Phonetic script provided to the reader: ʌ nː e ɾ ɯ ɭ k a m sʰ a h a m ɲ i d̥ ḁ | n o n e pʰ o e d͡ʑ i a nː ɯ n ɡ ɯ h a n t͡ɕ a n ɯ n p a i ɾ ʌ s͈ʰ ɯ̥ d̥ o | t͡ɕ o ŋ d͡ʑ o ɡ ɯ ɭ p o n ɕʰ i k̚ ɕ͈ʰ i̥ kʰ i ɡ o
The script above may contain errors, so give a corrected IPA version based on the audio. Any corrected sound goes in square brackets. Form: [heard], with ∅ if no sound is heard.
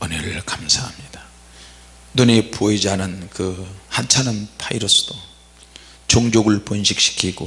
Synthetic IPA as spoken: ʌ [n] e ɾ ɯ ɭ k a m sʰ a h a m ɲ i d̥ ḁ | n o n e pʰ o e d͡ʑ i a [n] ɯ n [k] ɯ h a n [t͡ɕʰ] a n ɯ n [pʰ] a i ɾ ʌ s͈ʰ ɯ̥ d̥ o | t͡ɕ o ŋ d͡ʑ o ɡ ɯ ɭ p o n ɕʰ i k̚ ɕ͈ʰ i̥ kʰ i ɡ o